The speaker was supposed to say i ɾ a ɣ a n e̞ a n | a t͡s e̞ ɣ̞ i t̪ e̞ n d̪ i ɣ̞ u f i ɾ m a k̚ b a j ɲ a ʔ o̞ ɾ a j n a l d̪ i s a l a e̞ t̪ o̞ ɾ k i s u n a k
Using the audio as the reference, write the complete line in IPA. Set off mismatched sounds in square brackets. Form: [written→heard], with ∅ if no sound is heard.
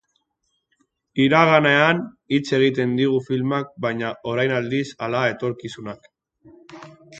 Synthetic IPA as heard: i ɾ a ɣ a n e̞ a n | [a→i] t͡s e̞ ɣ̞ i t̪ e̞ n d̪ i ɣ̞ u f i [ɾ→l] m a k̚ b a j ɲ a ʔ o̞ ɾ a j n a l d̪ i s a l a e̞ t̪ o̞ ɾ k i s u n a k